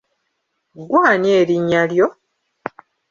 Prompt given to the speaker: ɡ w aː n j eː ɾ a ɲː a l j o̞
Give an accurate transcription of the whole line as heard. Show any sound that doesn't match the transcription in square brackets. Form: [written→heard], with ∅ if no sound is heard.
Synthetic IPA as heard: ɡ w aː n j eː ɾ [a→i] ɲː a l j o̞